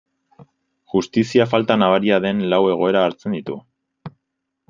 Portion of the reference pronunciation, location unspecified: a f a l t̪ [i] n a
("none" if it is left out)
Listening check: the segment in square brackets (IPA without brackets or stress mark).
a